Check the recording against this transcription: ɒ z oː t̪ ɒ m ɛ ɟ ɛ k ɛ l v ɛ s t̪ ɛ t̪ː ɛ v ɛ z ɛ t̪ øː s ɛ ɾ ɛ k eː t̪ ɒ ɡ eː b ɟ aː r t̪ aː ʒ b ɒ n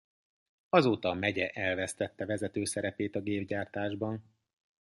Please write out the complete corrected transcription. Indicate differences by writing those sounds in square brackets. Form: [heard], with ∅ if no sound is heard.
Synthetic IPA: ɒ z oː t̪ ɒ m ɛ ɟ ɛ [ʔ] ɛ l v ɛ s t̪ ɛ t̪ː ɛ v ɛ z ɛ t̪ øː s ɛ ɾ ɛ [p] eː t̪ ɒ ɡ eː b ɟ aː r t̪ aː ʒ b ɒ n

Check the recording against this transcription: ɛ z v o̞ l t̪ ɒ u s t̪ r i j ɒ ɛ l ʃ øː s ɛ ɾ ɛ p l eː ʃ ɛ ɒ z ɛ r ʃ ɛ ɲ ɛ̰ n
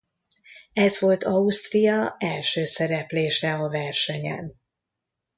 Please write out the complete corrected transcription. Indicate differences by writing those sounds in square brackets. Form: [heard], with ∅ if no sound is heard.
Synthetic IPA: ɛ z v o̞ l t̪ ɒ u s t̪ r i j ɒ ɛ l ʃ øː s ɛ ɾ ɛ p l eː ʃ ɛ ɒ [v] ɛ r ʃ ɛ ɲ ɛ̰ n

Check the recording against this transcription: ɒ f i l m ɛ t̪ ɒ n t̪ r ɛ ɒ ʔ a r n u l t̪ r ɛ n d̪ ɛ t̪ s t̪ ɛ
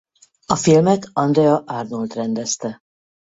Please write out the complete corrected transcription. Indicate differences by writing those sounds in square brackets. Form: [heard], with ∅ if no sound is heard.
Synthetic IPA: ɒ f i l m ɛ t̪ ɒ n [d̪] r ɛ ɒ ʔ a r n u l t̪ r ɛ n d̪ ɛ [∅] s t̪ ɛ

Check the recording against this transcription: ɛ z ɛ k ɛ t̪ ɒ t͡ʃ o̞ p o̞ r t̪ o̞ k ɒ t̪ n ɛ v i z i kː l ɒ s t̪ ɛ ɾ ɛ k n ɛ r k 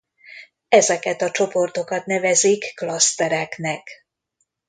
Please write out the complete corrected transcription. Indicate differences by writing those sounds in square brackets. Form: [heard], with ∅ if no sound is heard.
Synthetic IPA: ɛ z ɛ k ɛ t̪ ɒ t͡ʃ o̞ p o̞ r t̪ o̞ k ɒ t̪ n ɛ v [ɛ] z i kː l ɒ s t̪ ɛ ɾ ɛ k n ɛ [∅] k

